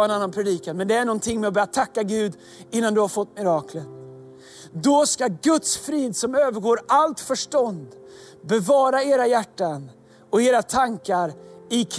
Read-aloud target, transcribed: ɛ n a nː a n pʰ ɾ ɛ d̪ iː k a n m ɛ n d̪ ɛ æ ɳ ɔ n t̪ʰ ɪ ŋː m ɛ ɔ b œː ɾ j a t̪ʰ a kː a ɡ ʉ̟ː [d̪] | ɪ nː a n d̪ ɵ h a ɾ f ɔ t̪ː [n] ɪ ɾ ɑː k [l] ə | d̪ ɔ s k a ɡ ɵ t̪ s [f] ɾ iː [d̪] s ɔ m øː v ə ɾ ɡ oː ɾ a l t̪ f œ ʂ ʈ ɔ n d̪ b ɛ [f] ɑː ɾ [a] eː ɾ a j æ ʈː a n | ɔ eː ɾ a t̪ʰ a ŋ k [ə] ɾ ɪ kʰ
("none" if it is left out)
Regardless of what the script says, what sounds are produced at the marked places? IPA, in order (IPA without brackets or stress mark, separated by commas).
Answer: d̪, m, l, f, d̪, v, a, a